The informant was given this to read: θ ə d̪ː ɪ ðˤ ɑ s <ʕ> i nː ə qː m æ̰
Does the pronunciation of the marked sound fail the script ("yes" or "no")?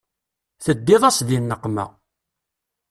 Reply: yes